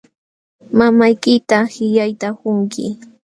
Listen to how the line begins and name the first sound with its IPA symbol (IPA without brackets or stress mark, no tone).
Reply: m